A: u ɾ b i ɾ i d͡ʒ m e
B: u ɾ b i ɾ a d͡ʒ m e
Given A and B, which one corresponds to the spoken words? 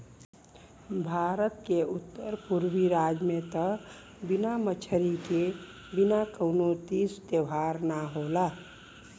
B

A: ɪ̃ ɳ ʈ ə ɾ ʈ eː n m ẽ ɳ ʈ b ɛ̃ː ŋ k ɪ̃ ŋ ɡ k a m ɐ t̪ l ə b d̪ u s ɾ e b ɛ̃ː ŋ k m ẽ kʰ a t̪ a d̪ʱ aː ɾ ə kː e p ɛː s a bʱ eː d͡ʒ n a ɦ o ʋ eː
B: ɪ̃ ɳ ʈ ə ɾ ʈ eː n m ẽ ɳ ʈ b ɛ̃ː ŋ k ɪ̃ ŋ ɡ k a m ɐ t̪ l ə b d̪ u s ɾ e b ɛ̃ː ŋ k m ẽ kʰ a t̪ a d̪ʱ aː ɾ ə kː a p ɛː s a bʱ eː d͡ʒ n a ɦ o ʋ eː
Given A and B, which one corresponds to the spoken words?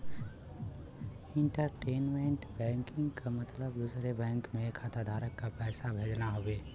B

